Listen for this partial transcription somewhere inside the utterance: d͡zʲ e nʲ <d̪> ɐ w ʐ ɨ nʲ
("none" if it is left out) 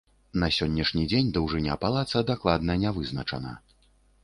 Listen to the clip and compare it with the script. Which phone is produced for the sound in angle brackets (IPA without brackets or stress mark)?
d̪